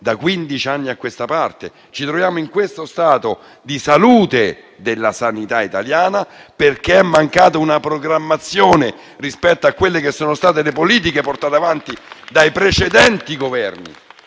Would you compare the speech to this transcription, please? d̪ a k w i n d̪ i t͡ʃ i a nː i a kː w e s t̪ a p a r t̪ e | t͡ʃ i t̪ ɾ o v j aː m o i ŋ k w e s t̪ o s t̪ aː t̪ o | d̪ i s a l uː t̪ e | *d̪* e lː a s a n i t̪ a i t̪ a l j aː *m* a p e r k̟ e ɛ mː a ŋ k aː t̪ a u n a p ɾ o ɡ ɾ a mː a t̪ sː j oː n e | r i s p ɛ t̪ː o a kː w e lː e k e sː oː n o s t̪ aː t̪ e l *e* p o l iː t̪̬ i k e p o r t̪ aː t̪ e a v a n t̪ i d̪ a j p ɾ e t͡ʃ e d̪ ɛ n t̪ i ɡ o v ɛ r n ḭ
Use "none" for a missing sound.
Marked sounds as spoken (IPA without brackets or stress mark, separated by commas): d̪, n, e